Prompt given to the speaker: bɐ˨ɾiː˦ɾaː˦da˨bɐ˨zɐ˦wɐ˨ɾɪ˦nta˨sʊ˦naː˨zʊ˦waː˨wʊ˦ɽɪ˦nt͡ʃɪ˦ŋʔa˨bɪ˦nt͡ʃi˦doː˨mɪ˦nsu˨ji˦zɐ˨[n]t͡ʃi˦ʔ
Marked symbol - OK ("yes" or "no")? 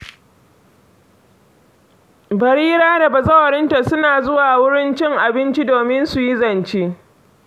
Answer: yes